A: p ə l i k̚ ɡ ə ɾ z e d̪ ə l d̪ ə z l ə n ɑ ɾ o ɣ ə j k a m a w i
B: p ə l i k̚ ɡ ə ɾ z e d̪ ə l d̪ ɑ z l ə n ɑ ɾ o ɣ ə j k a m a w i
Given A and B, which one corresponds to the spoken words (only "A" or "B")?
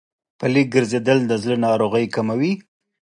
A